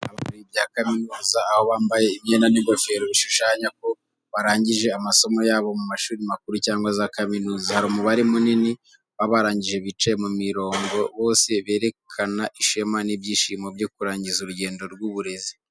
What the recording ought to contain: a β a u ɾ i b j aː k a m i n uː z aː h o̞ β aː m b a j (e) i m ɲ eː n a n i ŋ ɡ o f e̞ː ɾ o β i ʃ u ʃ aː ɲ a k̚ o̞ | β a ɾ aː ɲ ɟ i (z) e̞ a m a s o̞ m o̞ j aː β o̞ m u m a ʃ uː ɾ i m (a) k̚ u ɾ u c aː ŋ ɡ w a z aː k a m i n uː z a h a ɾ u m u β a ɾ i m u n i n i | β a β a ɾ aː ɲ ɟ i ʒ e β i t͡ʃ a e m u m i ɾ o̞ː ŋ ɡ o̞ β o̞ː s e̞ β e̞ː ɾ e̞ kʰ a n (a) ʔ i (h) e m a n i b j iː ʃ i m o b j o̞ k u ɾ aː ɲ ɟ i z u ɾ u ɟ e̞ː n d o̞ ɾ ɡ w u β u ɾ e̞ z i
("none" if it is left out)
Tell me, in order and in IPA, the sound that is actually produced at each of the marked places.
e, ʒ, a, a, ʃ

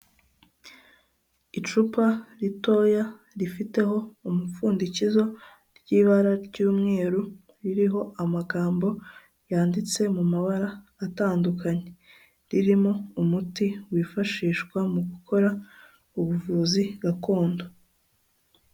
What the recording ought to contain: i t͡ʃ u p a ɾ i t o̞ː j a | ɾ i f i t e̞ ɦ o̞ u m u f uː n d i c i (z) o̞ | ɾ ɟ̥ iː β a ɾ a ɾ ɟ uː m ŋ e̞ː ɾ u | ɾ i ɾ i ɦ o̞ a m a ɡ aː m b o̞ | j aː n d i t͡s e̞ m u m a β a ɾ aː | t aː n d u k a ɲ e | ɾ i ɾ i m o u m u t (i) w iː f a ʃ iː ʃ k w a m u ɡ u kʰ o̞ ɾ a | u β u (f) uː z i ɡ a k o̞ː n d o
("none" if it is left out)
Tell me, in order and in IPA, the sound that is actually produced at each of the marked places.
z, i, v

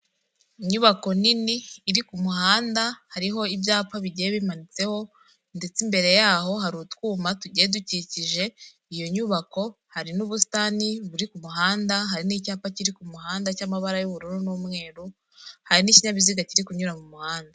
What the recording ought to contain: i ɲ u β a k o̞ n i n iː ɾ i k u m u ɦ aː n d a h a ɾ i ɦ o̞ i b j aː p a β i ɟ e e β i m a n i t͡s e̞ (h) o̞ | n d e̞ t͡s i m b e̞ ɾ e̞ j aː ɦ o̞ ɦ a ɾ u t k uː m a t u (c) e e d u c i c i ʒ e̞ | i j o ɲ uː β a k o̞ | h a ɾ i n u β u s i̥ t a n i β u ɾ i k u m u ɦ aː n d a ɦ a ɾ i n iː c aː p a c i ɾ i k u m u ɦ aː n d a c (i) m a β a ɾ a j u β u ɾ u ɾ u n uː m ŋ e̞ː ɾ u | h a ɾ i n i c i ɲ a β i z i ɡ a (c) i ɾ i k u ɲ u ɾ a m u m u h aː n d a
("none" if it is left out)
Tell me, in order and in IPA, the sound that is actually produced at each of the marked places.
h, ɟ, a, c

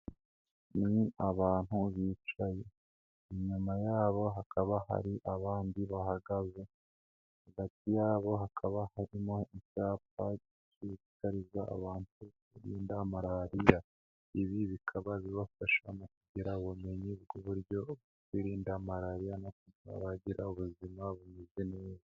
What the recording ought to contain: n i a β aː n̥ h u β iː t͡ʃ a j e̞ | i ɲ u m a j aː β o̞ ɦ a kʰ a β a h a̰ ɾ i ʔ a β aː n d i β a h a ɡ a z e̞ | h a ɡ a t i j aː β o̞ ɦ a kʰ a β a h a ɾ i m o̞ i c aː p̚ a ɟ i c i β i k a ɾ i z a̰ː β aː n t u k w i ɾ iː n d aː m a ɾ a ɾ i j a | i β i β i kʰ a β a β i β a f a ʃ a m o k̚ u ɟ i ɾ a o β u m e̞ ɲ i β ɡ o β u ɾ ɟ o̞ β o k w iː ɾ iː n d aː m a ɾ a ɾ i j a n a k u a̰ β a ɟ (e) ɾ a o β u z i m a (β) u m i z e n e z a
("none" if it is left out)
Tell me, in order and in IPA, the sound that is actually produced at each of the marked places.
i, β

